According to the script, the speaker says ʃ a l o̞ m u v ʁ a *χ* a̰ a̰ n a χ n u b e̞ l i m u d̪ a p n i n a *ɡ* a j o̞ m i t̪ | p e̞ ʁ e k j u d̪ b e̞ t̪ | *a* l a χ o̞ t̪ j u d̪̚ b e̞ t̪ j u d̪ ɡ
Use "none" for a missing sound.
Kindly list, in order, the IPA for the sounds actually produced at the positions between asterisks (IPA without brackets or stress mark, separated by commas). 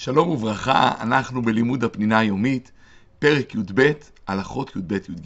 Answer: χ, none, a